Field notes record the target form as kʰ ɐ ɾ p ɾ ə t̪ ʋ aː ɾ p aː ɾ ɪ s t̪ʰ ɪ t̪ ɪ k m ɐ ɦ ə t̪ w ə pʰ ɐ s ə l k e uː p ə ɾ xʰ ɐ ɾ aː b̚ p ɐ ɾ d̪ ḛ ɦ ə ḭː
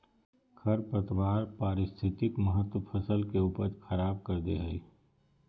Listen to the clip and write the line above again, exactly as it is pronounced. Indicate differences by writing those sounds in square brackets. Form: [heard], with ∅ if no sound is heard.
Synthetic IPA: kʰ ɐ ɾ p ɾ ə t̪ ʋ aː ɾ p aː ɾ ɪ s t̪ʰ ɪ t̪ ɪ k m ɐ ɦ ə t̪ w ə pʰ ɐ s ə l k e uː p ə ɾ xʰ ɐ ɾ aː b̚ [k] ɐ ɾ d̪ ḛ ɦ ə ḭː